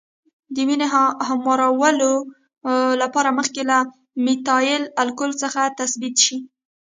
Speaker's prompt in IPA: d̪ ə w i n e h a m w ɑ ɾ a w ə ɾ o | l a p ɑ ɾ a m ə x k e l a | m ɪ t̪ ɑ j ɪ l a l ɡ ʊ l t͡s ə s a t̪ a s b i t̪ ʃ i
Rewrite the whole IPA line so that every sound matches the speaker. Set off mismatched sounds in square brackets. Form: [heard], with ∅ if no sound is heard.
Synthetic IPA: d̪ ə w i n e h a m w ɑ ɾ a w ə [l] o | l a p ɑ ɾ a m ə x k e l a | m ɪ t̪ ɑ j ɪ l a l [k] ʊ l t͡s ə [x] a t̪ a s b i t̪ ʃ i